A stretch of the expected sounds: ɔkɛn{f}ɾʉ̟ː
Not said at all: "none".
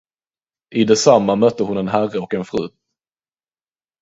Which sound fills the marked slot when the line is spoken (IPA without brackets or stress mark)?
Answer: f